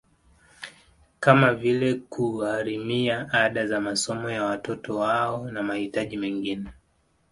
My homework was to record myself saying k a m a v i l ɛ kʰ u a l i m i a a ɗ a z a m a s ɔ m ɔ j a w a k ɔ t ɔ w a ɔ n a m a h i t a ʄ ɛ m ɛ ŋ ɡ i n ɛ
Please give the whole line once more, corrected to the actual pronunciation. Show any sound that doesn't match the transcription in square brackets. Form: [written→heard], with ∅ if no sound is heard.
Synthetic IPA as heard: k a m a v i l ɛ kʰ u a [l→ɾ] i m i a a ɗ a z a m a s ɔ m ɔ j a w a [k→t] ɔ t ɔ w a ɔ n a m a h i t a ʄ [ɛ→i] m ɛ ŋ ɡ i n ɛ